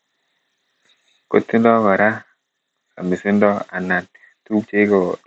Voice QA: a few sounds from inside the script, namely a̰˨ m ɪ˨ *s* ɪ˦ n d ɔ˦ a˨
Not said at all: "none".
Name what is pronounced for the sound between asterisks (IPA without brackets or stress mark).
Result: s